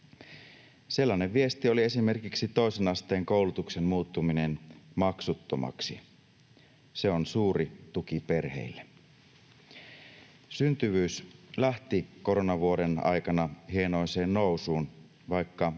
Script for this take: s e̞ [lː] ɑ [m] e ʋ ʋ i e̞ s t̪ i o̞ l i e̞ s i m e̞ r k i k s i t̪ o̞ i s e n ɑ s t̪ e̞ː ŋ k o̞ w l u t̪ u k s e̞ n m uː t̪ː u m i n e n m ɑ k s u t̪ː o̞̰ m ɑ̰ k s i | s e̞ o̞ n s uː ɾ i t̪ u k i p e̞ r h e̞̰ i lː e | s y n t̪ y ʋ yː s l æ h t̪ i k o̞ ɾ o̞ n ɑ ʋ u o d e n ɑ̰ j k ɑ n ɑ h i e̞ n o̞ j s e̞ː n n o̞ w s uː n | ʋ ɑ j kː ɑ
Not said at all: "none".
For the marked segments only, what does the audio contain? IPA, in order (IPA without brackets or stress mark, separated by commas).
lː, n